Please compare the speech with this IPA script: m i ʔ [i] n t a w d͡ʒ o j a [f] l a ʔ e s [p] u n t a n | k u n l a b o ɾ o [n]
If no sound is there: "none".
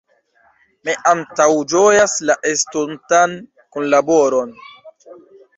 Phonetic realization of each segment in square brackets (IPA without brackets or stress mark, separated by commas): a, s, t, n